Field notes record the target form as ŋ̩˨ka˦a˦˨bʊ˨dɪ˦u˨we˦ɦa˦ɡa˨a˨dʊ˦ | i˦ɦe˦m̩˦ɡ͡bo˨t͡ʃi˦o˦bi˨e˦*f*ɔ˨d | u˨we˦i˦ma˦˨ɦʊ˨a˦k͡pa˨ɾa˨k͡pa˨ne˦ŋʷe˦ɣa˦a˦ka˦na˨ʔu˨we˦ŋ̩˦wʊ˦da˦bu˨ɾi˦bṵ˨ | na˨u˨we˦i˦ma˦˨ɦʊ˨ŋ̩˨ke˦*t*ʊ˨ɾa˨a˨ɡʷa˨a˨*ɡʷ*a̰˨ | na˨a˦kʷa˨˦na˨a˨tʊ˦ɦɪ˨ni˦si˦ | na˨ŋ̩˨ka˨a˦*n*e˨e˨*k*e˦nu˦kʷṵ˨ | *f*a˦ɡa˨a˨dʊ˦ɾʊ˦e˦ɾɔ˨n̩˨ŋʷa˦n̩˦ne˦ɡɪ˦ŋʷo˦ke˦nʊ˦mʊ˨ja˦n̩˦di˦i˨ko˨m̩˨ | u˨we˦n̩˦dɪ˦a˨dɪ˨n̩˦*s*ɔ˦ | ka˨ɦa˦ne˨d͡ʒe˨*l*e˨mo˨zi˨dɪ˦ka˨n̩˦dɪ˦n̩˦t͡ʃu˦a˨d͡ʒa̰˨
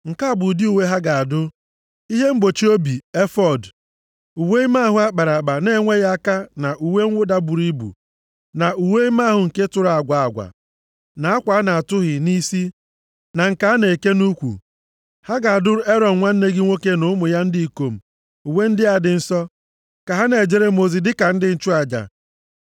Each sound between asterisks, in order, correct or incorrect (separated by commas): correct, correct, correct, correct, correct, incorrect, correct, incorrect